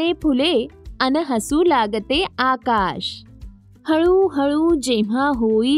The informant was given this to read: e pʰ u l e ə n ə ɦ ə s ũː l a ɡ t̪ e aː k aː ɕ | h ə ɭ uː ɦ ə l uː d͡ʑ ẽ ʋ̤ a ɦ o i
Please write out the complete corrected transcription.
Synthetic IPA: e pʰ u l e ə n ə ɦ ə s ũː l a ɡ t̪ e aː k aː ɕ | h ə ɭ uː ɦ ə ɭ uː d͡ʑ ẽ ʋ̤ a ɦ o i